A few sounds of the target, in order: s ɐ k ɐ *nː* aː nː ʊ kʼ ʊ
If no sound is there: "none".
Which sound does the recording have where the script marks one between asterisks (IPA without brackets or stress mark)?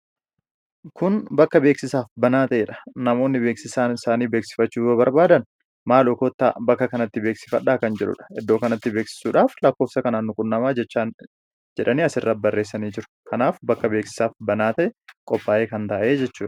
n